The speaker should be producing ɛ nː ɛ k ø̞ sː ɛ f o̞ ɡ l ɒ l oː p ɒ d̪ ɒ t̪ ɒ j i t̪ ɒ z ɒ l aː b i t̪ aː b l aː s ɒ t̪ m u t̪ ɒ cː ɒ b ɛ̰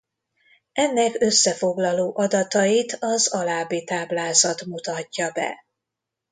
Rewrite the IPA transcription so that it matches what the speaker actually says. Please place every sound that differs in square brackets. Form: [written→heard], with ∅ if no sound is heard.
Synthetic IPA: ɛ nː ɛ k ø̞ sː ɛ f o̞ ɡ l ɒ l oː [p→ʔ] ɒ d̪ ɒ t̪ ɒ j i t̪ ɒ z ɒ l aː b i t̪ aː b l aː [s→z] ɒ t̪ m u t̪ ɒ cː ɒ b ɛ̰